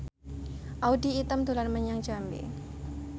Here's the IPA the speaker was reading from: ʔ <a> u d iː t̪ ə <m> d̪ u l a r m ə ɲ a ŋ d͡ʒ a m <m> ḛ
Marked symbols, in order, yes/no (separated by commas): yes, yes, no